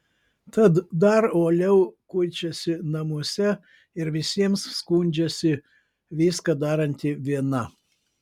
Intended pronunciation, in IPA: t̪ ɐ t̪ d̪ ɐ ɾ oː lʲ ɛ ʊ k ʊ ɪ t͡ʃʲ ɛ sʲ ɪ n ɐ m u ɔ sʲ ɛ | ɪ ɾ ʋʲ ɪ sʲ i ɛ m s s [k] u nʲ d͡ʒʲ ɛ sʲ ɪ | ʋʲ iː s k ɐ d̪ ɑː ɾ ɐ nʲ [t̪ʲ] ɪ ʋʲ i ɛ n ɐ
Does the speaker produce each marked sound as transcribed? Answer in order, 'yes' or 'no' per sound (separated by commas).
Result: yes, yes